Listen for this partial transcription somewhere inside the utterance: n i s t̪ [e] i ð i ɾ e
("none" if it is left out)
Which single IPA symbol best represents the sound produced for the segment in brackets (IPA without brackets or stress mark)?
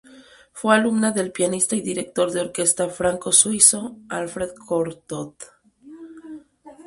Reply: a